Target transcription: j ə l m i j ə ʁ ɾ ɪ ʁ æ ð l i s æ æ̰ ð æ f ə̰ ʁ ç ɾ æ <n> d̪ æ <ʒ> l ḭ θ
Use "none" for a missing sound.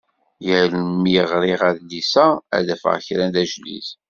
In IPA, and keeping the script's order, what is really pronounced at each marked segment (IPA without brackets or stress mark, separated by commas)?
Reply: n, ʒ